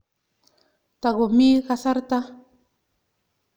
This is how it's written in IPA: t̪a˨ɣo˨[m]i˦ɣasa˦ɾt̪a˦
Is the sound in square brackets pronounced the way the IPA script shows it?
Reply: yes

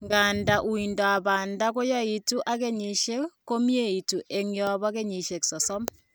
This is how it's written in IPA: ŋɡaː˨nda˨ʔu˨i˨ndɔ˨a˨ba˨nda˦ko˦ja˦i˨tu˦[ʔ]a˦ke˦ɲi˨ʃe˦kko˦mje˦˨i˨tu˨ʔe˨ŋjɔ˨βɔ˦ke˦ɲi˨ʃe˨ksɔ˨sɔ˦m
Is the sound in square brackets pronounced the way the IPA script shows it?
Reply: yes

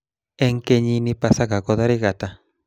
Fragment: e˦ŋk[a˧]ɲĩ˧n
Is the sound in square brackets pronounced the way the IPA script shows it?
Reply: no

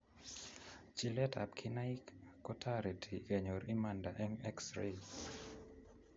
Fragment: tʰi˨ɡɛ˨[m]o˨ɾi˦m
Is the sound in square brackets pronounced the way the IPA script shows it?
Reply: no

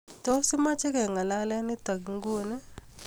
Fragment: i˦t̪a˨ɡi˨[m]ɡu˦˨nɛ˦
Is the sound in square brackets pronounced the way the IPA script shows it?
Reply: no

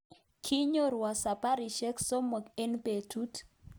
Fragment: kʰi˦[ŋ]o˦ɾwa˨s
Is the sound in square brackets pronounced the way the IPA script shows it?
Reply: no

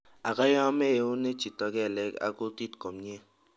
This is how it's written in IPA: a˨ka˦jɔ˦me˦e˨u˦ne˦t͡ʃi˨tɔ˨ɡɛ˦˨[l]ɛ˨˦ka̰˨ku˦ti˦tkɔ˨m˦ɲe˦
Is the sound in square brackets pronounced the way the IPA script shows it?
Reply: yes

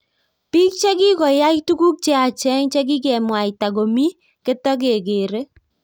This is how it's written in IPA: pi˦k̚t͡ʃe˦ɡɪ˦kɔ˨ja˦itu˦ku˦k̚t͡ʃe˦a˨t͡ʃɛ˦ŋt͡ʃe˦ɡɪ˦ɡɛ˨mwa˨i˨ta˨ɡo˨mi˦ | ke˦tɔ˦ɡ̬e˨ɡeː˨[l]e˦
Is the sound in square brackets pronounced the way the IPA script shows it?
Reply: no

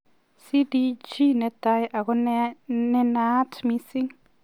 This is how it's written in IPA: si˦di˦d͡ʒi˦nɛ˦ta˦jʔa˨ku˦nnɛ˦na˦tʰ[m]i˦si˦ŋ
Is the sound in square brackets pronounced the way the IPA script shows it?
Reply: yes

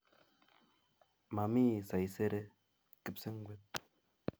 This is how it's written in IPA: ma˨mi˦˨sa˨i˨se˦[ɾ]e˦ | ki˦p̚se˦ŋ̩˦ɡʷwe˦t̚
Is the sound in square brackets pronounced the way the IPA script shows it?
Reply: yes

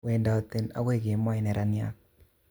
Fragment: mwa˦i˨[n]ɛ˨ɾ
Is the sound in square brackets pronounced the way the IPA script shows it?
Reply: yes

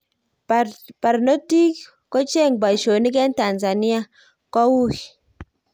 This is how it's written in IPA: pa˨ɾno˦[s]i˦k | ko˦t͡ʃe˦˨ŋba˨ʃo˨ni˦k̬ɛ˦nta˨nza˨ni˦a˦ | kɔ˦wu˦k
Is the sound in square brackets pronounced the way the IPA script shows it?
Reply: no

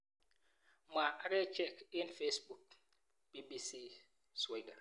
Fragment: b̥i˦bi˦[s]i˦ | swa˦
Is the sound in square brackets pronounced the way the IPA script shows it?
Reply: yes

